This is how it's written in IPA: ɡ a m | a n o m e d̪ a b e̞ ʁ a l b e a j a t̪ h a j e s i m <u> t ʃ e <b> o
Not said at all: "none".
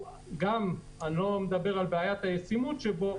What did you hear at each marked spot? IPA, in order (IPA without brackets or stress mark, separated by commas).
u, b